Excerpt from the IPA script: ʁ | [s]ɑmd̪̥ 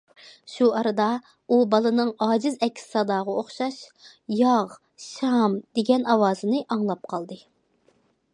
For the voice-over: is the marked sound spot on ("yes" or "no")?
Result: no